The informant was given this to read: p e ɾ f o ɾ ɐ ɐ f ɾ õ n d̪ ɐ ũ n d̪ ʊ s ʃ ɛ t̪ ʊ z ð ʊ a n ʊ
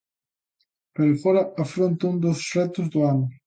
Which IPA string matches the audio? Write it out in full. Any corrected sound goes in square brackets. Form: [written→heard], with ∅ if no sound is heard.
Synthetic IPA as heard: p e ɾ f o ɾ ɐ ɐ f ɾ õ n [d̪→t̪] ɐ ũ n d̪ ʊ s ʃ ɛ t̪ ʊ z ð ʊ a n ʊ